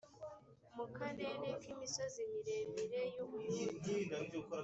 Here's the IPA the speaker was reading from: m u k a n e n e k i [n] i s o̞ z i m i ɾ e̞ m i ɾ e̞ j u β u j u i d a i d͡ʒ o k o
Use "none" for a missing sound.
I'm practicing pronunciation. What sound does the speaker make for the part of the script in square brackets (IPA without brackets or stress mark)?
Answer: m